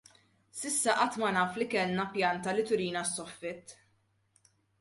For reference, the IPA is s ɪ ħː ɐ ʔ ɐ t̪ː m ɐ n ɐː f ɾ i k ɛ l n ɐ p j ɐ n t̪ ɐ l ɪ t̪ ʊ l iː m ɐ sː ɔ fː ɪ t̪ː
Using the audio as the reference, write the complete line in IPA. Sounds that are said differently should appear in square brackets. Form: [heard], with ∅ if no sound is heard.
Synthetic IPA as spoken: s ɪ [sː] ɐ ʔ ɐ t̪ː m ɐ n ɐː f [l] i k ɛ l n ɐ p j ɐ n t̪ ɐ l ɪ t̪ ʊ [ɾ] iː [n] ɐ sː ɔ fː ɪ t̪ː